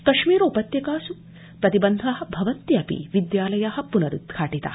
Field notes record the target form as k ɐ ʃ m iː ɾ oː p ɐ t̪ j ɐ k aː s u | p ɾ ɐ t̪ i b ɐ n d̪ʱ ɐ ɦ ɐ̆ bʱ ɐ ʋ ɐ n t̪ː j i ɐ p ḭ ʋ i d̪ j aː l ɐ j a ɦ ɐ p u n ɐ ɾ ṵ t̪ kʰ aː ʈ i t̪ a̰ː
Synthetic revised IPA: k ɐ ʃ m iː ɾ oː p ɐ t̪ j ɐ k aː s u | p ɾ ɐ t̪ i b ɐ n d̪ʱ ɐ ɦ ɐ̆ bʱ ɐ ʋ ɐ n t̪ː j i ɐ p ḭ ʋ i d̪ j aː l ɐ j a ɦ ɐ p u n ɐ ɾ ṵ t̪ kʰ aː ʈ i t̪ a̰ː